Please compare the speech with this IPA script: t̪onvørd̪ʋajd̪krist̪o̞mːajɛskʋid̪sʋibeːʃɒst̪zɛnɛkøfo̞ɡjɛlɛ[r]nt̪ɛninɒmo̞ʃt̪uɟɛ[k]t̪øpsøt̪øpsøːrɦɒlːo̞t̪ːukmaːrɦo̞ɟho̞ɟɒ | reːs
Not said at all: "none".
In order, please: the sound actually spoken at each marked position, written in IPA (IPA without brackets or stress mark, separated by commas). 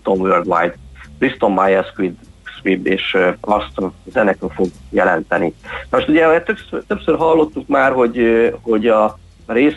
none, none